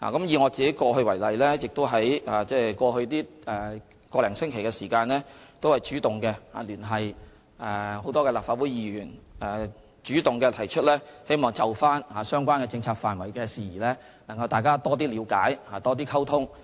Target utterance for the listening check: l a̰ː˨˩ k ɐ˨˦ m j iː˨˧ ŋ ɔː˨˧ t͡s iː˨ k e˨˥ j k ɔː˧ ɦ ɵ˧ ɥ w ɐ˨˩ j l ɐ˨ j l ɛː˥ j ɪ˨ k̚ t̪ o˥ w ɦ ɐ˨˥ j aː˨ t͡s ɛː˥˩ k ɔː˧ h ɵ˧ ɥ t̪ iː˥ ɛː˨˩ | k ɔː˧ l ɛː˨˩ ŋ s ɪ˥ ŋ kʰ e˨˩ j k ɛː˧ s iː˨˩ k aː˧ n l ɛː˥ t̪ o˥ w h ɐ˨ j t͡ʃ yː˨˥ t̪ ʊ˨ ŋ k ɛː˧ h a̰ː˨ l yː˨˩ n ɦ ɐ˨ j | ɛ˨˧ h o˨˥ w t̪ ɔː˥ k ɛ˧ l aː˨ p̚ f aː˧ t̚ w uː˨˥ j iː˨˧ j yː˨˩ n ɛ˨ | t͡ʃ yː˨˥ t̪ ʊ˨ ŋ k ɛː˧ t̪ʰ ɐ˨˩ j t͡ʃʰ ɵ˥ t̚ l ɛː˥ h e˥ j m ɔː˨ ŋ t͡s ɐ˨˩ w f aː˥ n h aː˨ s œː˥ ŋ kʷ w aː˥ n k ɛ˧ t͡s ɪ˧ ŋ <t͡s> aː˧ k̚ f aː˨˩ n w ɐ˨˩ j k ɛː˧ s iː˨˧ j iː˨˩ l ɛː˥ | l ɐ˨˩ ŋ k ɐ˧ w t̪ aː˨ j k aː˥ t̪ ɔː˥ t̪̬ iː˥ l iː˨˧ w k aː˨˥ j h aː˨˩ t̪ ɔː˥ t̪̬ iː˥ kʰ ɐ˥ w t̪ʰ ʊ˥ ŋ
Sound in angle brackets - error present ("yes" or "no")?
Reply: yes